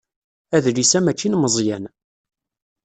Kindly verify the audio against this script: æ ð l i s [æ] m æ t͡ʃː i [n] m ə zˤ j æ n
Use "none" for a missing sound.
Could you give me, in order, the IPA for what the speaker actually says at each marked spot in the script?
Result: æ, n

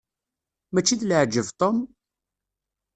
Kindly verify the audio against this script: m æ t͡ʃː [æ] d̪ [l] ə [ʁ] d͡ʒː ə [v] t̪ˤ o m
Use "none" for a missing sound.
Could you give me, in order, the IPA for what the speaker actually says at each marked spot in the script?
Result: i, l, ʕ, v

